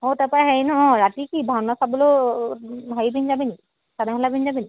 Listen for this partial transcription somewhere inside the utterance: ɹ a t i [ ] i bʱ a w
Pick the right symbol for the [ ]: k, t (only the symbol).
k